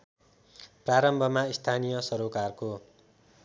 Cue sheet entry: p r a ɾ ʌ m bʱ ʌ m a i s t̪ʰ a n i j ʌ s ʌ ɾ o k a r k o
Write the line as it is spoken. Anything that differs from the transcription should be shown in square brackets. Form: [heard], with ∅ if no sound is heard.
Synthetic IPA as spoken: p r a ɾ ʌ m bʱ ʌ m a i s t̪ʰ a n i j ʌ s ʌ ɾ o k a r k o